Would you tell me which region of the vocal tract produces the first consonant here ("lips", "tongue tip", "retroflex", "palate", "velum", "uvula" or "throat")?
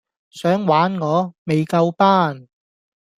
tongue tip